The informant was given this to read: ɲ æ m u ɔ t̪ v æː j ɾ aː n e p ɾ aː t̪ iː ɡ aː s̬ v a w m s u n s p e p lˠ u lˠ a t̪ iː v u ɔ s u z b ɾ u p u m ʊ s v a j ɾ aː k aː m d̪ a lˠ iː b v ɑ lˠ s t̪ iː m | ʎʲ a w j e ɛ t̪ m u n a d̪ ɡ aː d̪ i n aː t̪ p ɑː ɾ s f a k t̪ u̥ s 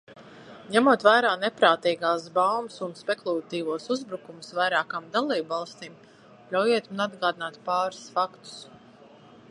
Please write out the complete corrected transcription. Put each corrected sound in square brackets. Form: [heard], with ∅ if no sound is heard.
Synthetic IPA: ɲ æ m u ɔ t̪ v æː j ɾ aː n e p ɾ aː t̪ iː ɡ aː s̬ [b] a w m s u n s p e [k] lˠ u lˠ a t̪ iː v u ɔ s u z b ɾ u [k] u m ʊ s v a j ɾ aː k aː m d̪ a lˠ iː b v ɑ lˠ s t̪ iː m | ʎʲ a w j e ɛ t̪ m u n a d̪ ɡ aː d̪ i n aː t̪ p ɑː ɾ s f a k t̪ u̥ s